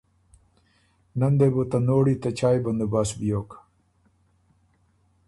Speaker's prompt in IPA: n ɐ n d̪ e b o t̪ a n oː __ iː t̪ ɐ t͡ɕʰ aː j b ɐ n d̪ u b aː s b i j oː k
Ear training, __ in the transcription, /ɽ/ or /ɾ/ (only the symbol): ɽ